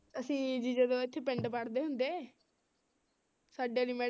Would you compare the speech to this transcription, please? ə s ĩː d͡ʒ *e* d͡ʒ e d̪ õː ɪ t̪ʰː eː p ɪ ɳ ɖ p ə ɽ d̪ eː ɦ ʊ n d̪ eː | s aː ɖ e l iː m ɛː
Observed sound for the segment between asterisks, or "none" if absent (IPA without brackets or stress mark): i